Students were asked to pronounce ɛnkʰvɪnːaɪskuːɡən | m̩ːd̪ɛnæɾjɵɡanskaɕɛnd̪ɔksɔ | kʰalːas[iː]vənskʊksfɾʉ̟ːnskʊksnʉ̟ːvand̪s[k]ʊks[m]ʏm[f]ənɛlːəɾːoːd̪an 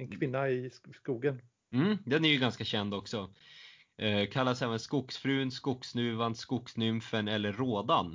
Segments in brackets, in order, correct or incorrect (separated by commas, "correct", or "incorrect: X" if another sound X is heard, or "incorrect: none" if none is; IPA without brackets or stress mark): incorrect: ɛː, correct, incorrect: n, correct